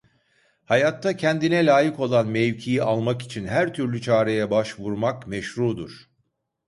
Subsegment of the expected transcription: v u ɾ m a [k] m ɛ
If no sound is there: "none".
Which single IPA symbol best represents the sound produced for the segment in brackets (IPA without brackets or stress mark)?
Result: k